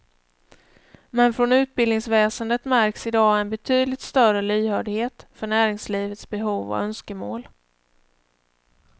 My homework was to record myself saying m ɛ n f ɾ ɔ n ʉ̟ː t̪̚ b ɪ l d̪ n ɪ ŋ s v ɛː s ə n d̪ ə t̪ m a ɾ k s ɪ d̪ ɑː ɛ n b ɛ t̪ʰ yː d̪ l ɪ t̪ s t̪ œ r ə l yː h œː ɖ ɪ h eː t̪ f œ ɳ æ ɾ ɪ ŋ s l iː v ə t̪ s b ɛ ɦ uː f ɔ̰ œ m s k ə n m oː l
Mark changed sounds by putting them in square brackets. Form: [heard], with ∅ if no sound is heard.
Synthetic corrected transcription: m ɛ n f ɾ ɔ n ʉ̟ː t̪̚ b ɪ l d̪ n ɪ ŋ s v ɛː s ə n d̪ ə t̪ m [æ] ɾ k s ɪ d̪ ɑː ɛ n b ɛ t̪ʰ yː d̪ l ɪ t̪ s t̪ œ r ə l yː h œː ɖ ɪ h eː t̪ f œ ɳ [æː] ɾ ɪ ŋ s l iː v ə t̪ s b ɛ ɦ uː [v] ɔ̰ œ [n] s k ə [∅] m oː l